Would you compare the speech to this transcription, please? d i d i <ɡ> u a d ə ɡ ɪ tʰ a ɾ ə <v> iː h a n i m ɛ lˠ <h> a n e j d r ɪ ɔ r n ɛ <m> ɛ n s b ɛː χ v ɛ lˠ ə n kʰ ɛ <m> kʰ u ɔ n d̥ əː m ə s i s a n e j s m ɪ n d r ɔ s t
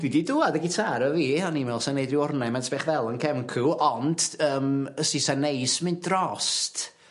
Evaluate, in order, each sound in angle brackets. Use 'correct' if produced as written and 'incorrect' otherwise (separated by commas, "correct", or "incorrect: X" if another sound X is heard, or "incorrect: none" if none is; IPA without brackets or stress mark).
incorrect: d, correct, incorrect: s, correct, correct